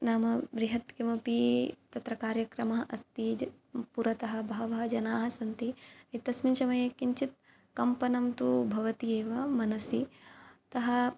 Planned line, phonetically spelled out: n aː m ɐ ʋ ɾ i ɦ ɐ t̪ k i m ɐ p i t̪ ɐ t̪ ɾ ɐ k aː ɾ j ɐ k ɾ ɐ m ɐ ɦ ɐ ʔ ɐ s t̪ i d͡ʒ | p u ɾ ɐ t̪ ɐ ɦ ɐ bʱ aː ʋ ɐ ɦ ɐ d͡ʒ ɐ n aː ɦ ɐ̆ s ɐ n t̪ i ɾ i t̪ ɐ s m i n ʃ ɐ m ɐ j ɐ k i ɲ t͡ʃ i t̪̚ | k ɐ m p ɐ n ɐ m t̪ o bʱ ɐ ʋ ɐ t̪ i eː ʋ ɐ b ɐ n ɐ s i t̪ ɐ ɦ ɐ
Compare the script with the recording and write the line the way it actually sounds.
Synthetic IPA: n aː m ɐ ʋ ɾ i ɦ ɐ t̪ k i m ɐ p i t̪ ɐ t̪ ɾ ɐ k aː ɾ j ɐ k ɾ ɐ m ɐ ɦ ɐ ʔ ɐ s t̪ i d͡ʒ | p u ɾ ɐ t̪ ɐ ɦ ɐ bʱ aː ʋ ɐ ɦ ɐ d͡ʒ ɐ n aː ɦ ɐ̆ s ɐ n t̪ i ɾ i t̪ ɐ s m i n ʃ ɐ m ɐ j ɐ k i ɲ t͡ʃ i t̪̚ | k ɐ m p ɐ n ɐ m t̪ u bʱ ɐ ʋ ɐ t̪ i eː ʋ ɐ m ɐ n ɐ s i t̪ ɐ ɦ ɐ